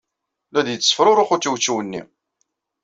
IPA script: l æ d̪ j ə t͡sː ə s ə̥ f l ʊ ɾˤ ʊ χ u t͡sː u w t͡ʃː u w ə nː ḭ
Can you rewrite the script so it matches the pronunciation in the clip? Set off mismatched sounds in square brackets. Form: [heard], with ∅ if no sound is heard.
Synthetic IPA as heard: l æ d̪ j ə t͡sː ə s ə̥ f [ɾ] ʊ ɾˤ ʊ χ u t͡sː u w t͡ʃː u w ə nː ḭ